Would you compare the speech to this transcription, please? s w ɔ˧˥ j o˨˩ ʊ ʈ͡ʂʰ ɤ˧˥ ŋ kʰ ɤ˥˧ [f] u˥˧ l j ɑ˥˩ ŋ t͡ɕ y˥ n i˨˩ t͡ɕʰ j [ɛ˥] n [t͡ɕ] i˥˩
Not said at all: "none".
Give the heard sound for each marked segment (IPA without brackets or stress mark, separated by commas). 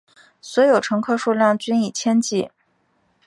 ʂ, ɛ˥, t͡ɕ